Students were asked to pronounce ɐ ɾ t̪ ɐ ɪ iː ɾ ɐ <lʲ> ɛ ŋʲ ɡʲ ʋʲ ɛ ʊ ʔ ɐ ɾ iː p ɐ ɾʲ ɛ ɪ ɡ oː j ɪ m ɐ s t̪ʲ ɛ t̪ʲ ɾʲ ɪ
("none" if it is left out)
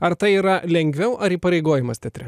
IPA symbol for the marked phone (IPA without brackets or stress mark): lʲ